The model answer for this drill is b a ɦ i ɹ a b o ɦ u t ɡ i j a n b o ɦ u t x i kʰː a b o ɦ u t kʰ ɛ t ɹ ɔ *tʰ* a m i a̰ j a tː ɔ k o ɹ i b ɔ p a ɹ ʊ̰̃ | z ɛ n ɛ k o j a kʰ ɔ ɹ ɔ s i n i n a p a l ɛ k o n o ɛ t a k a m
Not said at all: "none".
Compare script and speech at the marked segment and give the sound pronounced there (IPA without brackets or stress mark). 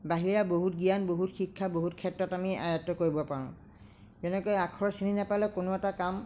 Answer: t